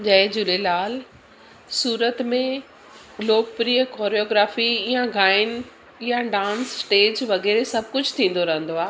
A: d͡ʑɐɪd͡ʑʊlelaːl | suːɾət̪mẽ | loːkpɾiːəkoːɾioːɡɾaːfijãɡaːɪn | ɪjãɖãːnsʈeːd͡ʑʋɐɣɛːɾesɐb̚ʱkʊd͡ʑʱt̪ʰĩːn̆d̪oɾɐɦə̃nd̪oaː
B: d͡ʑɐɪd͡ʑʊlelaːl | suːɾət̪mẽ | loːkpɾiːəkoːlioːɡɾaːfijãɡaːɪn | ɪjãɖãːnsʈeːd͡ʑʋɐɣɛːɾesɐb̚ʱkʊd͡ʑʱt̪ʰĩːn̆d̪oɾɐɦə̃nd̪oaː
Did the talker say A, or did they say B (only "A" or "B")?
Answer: A